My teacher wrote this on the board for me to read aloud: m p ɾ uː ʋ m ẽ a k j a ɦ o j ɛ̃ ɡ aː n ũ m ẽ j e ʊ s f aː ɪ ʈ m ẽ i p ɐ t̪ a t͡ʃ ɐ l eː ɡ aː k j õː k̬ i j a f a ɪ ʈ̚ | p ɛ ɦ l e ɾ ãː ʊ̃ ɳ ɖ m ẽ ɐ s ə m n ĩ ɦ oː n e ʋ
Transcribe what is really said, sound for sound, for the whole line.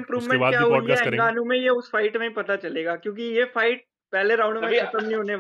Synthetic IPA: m p ɾ uː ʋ m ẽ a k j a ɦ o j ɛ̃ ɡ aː n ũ m ẽ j e ʊ s f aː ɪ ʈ m ẽ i p ɐ t̪ a t͡ʃ ɐ l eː ɡ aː k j õː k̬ i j e f a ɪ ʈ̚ | p ɛ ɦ l e ɾ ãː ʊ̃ ɳ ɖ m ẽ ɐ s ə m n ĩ ɦ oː n e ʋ